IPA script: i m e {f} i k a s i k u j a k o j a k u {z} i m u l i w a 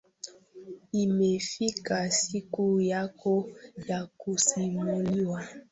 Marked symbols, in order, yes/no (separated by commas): yes, no